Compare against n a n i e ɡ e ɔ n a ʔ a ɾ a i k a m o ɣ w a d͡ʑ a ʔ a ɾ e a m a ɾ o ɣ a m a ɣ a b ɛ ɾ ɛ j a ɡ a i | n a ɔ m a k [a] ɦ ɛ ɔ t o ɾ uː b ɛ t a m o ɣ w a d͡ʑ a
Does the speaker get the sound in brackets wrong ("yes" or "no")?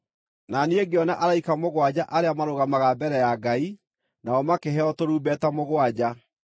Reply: yes